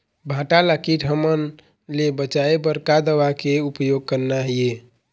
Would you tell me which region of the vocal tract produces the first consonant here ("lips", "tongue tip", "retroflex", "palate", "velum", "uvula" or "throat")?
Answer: lips